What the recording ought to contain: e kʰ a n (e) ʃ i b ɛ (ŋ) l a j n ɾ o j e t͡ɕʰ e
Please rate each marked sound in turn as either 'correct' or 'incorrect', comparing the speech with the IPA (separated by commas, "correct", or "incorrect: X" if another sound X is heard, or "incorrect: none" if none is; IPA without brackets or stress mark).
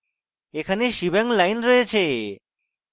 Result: correct, correct